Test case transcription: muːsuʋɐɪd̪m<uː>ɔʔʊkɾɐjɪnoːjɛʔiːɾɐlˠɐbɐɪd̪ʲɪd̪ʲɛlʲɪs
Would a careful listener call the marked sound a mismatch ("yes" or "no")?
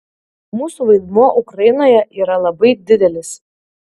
yes